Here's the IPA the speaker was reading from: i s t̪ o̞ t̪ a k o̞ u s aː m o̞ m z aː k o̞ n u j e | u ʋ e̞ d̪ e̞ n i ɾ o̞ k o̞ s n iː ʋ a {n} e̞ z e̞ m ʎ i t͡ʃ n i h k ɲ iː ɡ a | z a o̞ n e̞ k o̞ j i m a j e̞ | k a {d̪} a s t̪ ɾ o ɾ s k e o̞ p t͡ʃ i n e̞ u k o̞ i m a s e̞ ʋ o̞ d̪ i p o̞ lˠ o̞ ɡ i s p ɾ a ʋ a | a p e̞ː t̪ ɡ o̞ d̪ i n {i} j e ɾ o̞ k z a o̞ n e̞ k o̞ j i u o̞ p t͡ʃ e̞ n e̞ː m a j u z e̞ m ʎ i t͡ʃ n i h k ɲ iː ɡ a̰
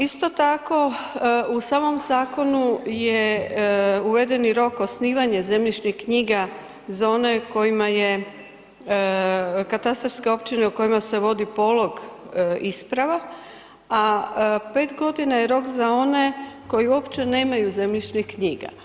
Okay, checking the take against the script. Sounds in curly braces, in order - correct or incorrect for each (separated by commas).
incorrect, incorrect, incorrect